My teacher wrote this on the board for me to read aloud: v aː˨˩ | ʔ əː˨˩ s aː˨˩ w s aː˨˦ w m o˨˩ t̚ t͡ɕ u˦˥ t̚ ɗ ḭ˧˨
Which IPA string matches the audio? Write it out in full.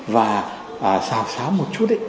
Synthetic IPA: v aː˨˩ | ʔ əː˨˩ s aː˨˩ w s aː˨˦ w m o˨˩ t̚ t͡ɕ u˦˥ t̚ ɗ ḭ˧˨